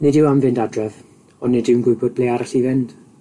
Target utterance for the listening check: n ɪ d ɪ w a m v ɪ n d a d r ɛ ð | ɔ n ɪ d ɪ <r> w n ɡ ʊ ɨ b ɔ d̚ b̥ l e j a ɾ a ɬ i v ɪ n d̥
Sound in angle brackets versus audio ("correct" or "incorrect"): incorrect